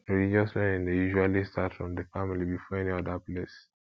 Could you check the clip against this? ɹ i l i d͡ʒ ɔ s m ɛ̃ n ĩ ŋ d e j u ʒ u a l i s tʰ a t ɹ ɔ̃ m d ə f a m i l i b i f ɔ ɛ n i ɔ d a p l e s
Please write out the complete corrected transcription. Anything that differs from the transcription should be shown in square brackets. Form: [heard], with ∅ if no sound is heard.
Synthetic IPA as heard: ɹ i l i d͡ʒ ɔ s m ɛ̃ n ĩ [n] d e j u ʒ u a l i s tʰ a t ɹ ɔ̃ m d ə f a m i l i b i f ɔ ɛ n i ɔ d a p l e s